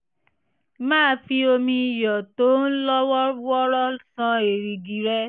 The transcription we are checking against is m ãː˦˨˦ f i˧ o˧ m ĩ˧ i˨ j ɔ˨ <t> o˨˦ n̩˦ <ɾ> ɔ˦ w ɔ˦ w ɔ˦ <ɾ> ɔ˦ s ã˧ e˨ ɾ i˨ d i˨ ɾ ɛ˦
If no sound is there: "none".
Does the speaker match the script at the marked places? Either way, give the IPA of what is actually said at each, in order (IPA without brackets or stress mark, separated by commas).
t, l, ɾ